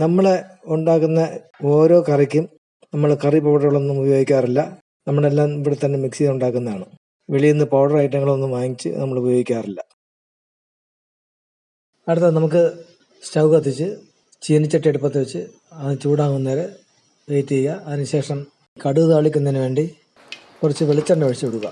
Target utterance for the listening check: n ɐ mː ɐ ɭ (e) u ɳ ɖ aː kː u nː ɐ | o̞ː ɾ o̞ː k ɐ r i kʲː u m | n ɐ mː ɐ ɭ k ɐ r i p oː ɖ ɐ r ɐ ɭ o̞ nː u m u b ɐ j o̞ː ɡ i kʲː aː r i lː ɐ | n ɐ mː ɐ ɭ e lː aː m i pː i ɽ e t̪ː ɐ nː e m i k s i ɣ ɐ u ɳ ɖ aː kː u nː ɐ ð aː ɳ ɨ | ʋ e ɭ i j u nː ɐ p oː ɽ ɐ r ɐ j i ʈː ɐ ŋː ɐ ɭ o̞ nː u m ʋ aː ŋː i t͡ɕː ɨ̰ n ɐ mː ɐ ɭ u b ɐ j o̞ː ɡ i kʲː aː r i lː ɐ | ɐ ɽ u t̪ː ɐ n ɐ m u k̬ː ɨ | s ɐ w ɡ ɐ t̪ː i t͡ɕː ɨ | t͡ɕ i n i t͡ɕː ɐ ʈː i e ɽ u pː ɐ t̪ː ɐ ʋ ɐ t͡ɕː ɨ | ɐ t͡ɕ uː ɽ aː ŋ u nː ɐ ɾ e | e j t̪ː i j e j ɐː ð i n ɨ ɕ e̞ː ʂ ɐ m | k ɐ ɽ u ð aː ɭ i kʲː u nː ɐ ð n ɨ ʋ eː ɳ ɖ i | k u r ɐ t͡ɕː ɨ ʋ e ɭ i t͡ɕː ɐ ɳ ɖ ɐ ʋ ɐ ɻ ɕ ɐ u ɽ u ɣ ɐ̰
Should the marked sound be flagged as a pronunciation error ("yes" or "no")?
no